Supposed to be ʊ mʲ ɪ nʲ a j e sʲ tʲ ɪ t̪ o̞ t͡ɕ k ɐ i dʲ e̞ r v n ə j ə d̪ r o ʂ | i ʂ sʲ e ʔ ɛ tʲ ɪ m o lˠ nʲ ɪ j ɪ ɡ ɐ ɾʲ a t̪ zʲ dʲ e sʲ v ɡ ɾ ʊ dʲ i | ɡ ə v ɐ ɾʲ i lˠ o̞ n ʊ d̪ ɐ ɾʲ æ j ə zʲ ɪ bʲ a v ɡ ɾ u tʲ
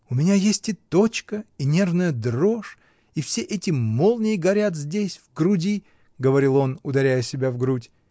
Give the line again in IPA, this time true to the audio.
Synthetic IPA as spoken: ʊ mʲ ɪ nʲ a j e sʲ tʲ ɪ t̪ o̞ t͡ɕ k ə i nʲ e̞ r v n ə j ə d̪ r o ʂ | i f sʲ e ʔ ɛ tʲ ɪ m o lˠ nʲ ɪ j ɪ ɡ ɐ ɾʲ a t̪ zʲ dʲ e sʲ v ɡ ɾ ʊ dʲ i | ɡ ə v ɐ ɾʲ i lˠ o̞ n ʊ d̪ ɐ ɾʲ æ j ə sʲ ɪ bʲ a v ɡ ɾ u tʲ